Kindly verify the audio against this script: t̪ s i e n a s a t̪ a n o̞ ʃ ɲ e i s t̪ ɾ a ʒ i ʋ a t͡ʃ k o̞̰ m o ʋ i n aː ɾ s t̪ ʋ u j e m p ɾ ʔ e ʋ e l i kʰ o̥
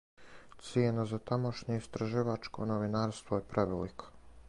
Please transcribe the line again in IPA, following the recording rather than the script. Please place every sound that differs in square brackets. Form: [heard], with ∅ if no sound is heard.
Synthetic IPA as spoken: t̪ s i e n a [z] a t̪ a [m] o̞ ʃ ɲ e i s t̪ ɾ a ʒ i ʋ a t͡ʃ k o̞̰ [n] o ʋ i n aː ɾ s t̪ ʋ [o] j e [∅] p ɾ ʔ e ʋ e l i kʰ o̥